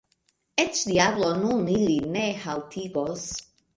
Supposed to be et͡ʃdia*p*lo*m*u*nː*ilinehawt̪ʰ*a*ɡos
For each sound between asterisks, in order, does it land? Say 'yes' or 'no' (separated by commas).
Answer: no, no, no, no